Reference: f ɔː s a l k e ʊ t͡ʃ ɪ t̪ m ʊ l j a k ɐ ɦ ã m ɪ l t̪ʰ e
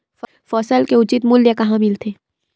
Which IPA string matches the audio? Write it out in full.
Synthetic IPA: f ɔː s ə l k e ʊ t͡ʃ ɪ t̪ m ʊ l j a k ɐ ɦ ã m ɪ l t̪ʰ e

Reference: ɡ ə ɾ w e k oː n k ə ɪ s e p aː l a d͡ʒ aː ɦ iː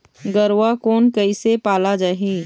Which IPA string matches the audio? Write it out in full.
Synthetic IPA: ɡ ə ɾ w a k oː n k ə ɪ s e p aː l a d͡ʒ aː ɦ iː

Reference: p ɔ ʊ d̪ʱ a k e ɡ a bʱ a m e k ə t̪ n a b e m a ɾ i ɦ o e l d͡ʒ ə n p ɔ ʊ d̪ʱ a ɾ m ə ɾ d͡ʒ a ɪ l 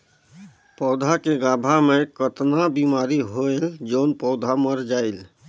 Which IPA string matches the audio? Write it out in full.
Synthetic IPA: p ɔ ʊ d̪ʱ a k e ɡ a bʱ a m e k ə t̪ n a b i m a ɾ i ɦ o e l d͡ʒ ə n p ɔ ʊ d̪ʱ a m ə ɾ d͡ʒ a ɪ l

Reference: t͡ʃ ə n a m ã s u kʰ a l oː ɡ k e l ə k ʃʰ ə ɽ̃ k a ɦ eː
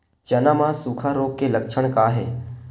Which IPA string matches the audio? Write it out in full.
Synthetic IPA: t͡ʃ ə n a m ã s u kʰ a ɾ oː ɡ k e l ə k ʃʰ ə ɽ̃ k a ɦ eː

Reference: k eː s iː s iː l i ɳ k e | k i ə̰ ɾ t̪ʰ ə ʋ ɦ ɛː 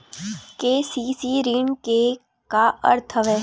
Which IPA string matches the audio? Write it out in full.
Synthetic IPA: k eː s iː s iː ɾ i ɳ k e | k a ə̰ ɾ t̪ʰ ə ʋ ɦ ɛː

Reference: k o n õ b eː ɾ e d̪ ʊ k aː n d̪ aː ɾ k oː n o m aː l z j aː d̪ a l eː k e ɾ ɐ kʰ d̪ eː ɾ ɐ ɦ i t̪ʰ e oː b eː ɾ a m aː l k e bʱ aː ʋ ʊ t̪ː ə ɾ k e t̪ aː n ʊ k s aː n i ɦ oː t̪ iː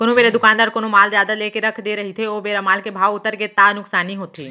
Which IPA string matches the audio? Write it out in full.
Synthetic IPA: k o n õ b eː ɾ e d̪ ʊ k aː n d̪ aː ɾ k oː n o m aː l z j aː d̪ a l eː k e ɾ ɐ kʰ d̪ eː ɾ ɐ ɦ i t̪ʰ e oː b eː ɾ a m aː l k e bʱ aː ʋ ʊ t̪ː ə ɾ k e t̪ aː n ʊ k s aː n i ɦ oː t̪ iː

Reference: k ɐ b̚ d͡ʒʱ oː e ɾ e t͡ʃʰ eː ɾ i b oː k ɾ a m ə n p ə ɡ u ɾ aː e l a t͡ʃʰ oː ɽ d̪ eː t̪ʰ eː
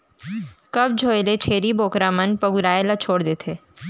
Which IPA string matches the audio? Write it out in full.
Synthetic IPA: k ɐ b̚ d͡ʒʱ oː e l e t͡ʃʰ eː ɾ i b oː k ɾ a m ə n p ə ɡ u ɾ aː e l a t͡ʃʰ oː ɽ d̪ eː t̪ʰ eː

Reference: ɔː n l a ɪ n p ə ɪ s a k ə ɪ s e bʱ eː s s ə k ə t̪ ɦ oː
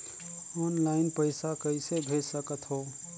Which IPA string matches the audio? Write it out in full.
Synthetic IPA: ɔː n l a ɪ n p ə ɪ s a k ə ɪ s e bʱ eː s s ə k ə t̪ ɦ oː

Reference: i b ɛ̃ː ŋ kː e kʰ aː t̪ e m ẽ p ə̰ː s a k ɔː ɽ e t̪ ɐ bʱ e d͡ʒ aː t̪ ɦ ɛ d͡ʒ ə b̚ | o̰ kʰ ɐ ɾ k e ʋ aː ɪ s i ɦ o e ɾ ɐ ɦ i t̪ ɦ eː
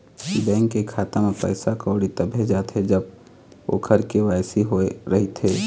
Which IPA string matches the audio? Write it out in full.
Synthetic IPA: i b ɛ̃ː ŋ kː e kʰ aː t̪ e m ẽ p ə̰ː s a k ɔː ɽ i t̪ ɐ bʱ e d͡ʒ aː t̪ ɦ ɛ d͡ʒ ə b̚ | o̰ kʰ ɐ ɾ k e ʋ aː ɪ s i ɦ o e ɾ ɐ ɦ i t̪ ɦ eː

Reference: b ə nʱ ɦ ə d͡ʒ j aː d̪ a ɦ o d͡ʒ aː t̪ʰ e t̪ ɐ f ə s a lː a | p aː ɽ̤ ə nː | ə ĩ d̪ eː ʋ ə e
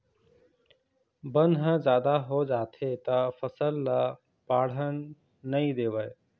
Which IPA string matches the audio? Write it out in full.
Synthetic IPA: b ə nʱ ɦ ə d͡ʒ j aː d̪ a ɦ o d͡ʒ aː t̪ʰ e t̪ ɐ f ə s ə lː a | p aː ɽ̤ ə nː | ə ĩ d̪ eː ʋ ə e

